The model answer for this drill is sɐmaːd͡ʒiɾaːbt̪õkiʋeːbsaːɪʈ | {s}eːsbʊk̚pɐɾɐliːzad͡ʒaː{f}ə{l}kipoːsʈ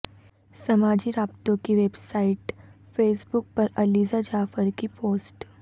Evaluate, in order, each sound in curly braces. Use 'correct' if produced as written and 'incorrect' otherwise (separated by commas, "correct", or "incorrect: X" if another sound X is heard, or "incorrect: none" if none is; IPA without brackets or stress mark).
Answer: incorrect: f, correct, incorrect: ɾ